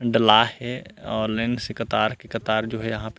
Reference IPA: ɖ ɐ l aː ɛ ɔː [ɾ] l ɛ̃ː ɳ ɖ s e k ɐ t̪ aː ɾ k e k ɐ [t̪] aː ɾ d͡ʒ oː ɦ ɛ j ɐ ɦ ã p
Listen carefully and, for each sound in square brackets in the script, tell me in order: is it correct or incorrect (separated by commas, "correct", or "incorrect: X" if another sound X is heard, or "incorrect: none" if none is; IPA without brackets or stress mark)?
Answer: correct, correct